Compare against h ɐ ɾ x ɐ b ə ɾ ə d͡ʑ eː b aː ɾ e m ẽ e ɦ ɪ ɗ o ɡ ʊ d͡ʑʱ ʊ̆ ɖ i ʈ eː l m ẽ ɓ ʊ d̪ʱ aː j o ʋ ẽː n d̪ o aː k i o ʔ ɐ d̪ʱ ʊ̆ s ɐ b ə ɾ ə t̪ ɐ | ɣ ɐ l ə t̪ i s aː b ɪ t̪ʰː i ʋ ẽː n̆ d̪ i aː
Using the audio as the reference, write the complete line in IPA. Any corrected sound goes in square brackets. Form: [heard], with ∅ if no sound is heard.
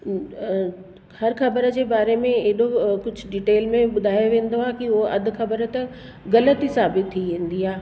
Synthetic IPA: h ɐ ɾ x ɐ b ə ɾ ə d͡ʑ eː b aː ɾ e m ẽ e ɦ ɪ ɗ o [k] ʊ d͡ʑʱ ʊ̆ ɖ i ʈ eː l m ẽ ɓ ʊ d̪ʱ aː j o ʋ ẽː n d̪ o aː k i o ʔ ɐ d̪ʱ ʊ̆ [x] ɐ b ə ɾ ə t̪ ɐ | ɣ ɐ l ə t̪ i s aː b ɪ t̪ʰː i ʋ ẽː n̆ d̪ i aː

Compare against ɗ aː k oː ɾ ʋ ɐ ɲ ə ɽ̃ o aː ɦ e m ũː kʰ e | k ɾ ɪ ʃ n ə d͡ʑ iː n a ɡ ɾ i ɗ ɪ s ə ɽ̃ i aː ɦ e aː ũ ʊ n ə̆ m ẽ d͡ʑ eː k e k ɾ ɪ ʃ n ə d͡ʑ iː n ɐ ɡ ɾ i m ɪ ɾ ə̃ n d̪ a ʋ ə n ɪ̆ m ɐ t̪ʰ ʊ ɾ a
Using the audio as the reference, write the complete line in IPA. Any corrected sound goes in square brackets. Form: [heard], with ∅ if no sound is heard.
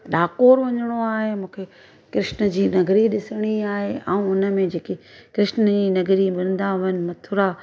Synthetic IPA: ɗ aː k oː ɾ ʋ ɐ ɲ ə ɽ̃ o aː ɦ e m ũː kʰ e | k ɾ ɪ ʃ n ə d͡ʑ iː n [ɐ] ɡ ɾ i ɗ ɪ s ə ɽ̃ i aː ɦ e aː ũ ʊ n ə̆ m ẽ d͡ʑ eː k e k ɾ ɪ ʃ n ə d͡ʑ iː n ɐ ɡ ɾ i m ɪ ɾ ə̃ n d̪ a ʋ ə n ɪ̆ m ɐ t̪ʰ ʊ ɾ a

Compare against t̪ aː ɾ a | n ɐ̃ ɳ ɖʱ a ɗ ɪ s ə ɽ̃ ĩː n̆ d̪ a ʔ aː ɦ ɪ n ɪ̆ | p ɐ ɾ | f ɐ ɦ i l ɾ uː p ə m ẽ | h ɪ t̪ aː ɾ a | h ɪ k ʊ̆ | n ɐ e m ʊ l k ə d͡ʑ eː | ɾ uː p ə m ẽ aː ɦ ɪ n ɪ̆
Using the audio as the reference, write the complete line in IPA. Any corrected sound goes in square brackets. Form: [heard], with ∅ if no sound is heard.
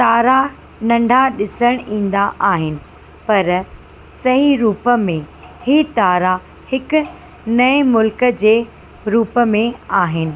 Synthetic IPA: t̪ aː ɾ a | n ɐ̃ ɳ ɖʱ a ɗ ɪ s ə ɽ̃ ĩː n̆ d̪ a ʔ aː ɦ ɪ n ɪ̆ | p ɐ ɾ | [s] ɐ ɦ i [∅] ɾ uː p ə m ẽ | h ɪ t̪ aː ɾ a | h ɪ k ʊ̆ | n ɐ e m ʊ l k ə d͡ʑ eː | ɾ uː p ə m ẽ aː ɦ ɪ n ɪ̆

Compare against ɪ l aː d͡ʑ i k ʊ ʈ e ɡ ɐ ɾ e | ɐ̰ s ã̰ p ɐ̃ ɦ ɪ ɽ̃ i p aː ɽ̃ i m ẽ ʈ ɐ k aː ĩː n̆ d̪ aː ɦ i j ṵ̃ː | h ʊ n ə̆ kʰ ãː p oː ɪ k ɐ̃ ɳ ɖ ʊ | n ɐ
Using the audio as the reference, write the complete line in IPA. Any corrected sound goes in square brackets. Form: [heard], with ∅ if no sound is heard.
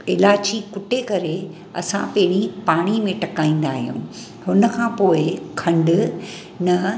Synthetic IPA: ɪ l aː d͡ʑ i k ʊ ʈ e [k] ɐ ɾ e | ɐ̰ s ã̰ p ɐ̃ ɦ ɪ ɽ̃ i p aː ɽ̃ i m ẽ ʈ ɐ k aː ĩː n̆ d̪ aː ɦ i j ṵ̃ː | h ʊ n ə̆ kʰ ãː p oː ɪ [kʰ] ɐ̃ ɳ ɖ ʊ | n ɐ

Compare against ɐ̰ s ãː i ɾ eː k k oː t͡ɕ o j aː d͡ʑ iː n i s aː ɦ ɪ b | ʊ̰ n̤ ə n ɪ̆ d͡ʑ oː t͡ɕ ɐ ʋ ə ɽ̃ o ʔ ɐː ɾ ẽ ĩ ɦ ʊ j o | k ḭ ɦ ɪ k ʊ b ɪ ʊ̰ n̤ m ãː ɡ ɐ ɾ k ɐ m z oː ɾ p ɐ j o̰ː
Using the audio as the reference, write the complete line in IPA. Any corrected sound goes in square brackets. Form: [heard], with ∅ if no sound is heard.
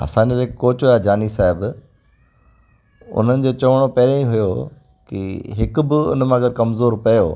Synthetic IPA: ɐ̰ s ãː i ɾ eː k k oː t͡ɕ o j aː d͡ʑ [aː] n i s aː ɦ ɪ b | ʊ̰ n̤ ə n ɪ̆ d͡ʑ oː t͡ɕ ɐ ʋ ə ɽ̃ o [p] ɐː ɾ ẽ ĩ ɦ ʊ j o | k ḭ ɦ ɪ k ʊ b ɪ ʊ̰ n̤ m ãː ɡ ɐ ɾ k ɐ m z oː ɾ p ɐ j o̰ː

